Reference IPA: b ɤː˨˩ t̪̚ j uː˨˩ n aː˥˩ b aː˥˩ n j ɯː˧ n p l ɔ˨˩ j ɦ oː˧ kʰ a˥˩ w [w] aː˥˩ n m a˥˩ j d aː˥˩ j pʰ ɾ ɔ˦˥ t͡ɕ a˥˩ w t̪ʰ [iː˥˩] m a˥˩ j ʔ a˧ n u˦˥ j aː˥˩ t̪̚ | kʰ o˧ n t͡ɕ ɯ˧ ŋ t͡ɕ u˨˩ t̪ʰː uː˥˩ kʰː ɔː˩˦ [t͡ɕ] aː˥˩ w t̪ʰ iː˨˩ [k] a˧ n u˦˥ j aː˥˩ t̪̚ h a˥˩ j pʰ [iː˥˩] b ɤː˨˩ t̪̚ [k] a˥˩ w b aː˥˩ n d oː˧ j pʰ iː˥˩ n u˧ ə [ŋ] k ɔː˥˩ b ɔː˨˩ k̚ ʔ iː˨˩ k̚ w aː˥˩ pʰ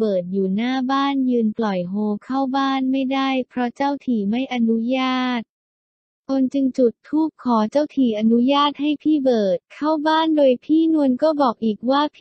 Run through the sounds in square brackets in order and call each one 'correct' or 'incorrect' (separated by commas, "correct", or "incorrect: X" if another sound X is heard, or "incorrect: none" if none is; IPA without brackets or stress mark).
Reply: incorrect: b, incorrect: iː˨˩, correct, incorrect: ʔ, correct, incorrect: kʰ, incorrect: n